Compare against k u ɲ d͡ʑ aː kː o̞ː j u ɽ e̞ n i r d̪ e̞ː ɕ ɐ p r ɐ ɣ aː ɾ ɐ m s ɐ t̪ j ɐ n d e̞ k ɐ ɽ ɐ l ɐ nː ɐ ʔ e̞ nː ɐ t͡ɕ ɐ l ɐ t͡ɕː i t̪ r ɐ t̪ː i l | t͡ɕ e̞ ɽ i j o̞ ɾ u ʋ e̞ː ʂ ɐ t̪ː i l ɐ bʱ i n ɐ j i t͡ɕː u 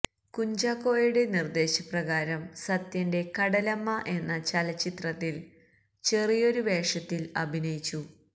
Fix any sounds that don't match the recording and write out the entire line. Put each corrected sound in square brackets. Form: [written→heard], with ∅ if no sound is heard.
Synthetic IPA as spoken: k u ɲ d͡ʑ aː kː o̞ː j u ɽ e̞ n i r d̪ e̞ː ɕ ɐ p r ɐ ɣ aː ɾ ɐ m s ɐ t̪ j ɐ n d e̞ k ɐ ɽ ɐ l ɐ [nː→mː] ɐ ʔ e̞ nː ɐ t͡ɕ ɐ l ɐ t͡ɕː i t̪ r ɐ t̪ː i l | t͡ɕ e̞ [ɽ→r] i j o̞ ɾ u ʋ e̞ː ʂ ɐ t̪ː i l ɐ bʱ i n ɐ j i t͡ɕː u